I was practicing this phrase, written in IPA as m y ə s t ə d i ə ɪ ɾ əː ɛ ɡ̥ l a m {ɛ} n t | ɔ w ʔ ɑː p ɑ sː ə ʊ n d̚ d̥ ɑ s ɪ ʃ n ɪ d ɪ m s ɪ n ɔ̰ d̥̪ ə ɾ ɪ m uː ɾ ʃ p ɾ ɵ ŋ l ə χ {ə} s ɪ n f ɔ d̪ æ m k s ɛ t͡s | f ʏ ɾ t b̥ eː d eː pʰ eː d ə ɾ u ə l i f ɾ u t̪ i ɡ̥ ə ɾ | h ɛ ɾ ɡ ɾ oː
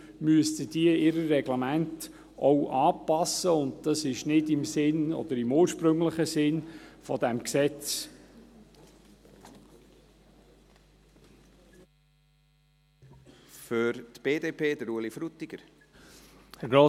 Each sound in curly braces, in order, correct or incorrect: incorrect: æ, correct

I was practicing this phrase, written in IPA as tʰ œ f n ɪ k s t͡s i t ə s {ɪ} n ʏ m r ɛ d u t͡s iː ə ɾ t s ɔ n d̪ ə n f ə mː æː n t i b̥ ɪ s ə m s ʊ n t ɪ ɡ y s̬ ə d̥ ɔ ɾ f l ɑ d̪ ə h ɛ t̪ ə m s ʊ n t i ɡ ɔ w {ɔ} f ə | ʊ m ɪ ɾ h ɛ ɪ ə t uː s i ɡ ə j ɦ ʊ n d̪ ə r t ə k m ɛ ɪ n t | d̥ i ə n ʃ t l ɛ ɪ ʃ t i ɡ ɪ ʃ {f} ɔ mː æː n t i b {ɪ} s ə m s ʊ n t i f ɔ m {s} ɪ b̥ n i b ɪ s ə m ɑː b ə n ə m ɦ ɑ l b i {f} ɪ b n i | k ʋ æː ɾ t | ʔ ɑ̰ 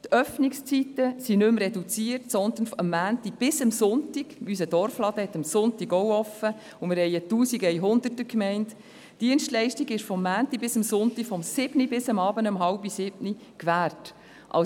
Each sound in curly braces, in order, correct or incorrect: incorrect: i, correct, correct, correct, correct, incorrect: s

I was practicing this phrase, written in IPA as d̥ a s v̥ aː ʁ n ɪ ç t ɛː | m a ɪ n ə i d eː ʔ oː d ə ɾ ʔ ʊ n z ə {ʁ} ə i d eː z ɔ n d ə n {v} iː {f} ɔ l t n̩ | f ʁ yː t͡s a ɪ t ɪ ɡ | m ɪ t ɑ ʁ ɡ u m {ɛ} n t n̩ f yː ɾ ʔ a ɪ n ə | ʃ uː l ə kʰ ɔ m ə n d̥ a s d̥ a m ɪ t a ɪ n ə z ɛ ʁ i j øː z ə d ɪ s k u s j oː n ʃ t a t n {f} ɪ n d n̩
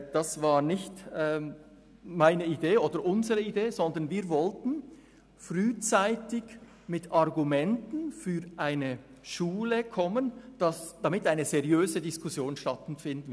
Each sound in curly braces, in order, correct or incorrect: correct, correct, incorrect: v, correct, correct

